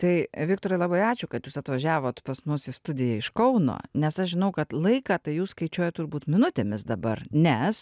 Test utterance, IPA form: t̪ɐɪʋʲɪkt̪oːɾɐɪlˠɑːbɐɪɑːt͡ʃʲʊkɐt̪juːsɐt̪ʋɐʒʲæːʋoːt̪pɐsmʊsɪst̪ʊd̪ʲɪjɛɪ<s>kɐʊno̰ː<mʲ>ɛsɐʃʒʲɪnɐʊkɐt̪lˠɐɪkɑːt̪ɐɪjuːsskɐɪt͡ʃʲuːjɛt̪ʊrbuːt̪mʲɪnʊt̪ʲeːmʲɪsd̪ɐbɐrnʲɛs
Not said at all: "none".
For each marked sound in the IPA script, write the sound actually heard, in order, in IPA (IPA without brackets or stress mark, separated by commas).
ʃ, nʲ